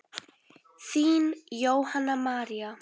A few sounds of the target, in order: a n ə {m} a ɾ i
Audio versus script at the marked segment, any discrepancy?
no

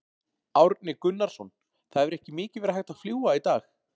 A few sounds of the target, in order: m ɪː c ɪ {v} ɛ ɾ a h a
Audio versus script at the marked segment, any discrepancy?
no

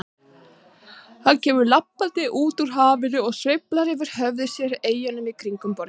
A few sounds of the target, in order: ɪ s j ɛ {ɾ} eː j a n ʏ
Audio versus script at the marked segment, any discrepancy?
no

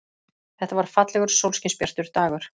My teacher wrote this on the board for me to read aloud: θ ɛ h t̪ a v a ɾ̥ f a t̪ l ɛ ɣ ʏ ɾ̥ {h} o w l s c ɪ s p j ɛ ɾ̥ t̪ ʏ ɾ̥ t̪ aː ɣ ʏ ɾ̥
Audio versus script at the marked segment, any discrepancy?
yes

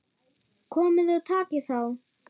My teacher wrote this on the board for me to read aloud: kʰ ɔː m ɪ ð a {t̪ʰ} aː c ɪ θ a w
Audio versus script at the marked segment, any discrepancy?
no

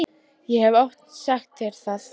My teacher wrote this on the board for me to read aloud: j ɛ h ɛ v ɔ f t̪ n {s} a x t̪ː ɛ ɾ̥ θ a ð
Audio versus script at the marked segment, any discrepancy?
no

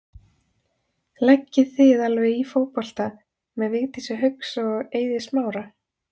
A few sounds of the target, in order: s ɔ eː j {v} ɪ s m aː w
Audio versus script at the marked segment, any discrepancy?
yes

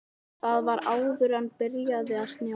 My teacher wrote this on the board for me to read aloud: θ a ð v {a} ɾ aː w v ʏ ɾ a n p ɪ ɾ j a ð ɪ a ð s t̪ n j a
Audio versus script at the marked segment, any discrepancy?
no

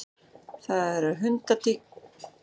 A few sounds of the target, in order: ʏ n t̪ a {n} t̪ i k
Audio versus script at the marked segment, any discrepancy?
yes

